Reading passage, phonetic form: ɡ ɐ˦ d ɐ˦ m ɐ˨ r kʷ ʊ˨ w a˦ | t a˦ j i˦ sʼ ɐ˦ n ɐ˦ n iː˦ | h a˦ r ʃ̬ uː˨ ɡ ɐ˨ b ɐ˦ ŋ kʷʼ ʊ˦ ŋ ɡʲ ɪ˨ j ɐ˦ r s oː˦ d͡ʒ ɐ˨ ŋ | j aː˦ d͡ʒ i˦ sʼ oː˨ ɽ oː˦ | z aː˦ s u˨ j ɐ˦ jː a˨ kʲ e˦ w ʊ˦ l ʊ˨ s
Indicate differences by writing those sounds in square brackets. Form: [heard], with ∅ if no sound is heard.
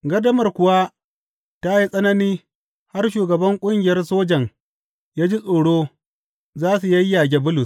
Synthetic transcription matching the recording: ɡ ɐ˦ d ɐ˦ m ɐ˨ r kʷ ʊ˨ w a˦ | t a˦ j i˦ sʼ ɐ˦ n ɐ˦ n iː˦ | h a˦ r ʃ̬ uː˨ ɡ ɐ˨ b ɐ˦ ŋ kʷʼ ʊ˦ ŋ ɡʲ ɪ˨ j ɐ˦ r s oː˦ d͡ʒ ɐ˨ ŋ | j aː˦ d͡ʒ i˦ sʼ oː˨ ɽ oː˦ | z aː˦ s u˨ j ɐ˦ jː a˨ [ɡʲ] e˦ [b] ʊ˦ l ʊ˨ s